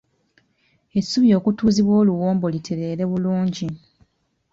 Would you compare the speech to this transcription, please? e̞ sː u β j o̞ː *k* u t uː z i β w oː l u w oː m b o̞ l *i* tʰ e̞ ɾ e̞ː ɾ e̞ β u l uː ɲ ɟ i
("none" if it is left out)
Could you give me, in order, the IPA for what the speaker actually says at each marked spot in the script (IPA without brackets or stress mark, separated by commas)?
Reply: k, i